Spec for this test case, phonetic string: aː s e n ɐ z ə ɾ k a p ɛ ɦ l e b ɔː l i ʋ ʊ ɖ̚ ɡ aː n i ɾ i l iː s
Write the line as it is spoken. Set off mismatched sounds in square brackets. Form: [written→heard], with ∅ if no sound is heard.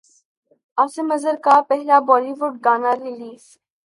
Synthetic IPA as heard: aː s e [n→m] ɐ z ə ɾ k a p ɛ ɦ l [e→a] b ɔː l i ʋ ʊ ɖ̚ ɡ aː n [i→a] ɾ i l iː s

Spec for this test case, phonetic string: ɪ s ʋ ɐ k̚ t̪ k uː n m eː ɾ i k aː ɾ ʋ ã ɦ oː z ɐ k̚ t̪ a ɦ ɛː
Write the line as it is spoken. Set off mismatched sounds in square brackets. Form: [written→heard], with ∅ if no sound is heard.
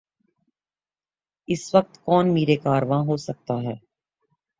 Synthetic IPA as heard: ɪ s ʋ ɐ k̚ t̪ k [uː→ɔː] n m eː ɾ [i→e] k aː ɾ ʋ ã ɦ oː [z→s] ɐ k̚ t̪ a ɦ ɛː

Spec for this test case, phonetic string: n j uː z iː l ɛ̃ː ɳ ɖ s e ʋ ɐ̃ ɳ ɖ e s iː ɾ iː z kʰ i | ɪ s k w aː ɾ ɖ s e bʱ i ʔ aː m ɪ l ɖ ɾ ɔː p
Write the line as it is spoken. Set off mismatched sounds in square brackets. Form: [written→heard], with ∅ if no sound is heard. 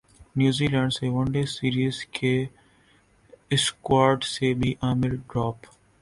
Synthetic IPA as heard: n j uː z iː l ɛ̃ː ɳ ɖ s e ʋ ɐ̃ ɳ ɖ e s iː ɾ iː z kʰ [i→e] | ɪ s k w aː ɾ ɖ s e bʱ i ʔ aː m ɪ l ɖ ɾ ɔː p

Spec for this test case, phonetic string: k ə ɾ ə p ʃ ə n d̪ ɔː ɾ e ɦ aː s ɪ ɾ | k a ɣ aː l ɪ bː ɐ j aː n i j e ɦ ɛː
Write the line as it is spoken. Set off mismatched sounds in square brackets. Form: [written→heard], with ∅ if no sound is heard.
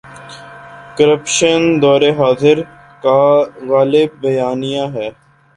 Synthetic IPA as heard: k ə ɾ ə p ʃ ə n d̪ ɔː ɾ e ɦ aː [s→z] ɪ ɾ | k a ɣ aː l ɪ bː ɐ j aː n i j [e→a] ɦ ɛː

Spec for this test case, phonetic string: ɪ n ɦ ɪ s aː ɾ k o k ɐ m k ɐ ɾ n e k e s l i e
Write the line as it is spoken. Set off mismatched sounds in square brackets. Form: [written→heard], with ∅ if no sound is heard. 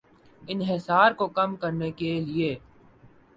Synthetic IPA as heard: ɪ n ɦ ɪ s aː ɾ k o k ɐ m k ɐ ɾ n e k e [s→∅] l i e

